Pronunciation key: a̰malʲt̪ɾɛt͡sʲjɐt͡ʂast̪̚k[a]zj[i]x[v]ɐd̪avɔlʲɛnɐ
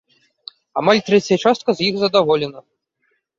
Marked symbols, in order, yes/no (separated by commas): no, yes, no